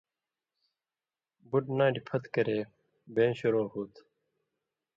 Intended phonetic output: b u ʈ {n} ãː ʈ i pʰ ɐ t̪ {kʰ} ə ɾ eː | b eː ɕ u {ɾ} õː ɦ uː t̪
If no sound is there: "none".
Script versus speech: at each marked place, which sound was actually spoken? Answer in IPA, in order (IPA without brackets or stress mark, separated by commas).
n, k, ɾ